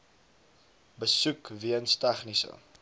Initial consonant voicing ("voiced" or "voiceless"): voiced